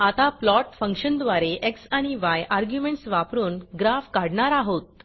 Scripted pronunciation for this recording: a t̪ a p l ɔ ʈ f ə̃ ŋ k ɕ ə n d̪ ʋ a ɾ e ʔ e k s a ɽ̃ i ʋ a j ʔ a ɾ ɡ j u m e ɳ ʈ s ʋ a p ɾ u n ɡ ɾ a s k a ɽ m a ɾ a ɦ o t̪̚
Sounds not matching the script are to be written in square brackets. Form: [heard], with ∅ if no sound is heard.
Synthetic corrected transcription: a t̪ a p l ɔ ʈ f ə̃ ŋ k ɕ ə n d̪ ʋ a ɾ e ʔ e k s a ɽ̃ i ʋ a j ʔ a ɾ ɡ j u m e ɳ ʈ s ʋ a p ɾ [uː] n ɡ ɾ a [f] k a ɽ [ɳ] a ɾ a ɦ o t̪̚